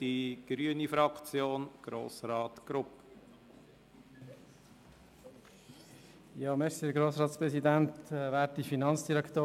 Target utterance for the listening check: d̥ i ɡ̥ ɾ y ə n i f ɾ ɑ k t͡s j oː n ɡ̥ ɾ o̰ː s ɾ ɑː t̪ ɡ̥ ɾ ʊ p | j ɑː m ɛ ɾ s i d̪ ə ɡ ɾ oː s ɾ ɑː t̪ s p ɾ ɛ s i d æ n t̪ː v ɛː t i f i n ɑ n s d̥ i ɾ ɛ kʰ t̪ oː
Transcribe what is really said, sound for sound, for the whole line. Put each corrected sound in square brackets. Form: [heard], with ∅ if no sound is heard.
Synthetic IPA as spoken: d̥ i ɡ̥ ɾ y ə n i f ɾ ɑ k t͡s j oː n ɡ̥ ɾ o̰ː s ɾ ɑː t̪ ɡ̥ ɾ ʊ p | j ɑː m ɛ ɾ s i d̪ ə ɡ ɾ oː s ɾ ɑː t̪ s p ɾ ɛ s i d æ n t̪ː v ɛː t i f i n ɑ n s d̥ i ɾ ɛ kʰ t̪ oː